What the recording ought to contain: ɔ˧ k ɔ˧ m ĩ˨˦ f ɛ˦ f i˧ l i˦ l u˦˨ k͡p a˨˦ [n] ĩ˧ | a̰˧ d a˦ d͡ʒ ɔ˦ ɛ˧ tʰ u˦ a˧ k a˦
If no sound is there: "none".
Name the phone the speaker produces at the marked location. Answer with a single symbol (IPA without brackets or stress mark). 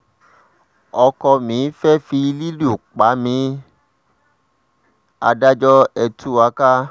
m